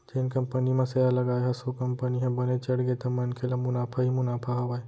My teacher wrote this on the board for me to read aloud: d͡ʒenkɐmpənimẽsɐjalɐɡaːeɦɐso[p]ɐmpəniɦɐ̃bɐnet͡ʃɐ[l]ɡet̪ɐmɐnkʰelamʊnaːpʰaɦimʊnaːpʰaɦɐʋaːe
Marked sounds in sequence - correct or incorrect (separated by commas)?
incorrect, incorrect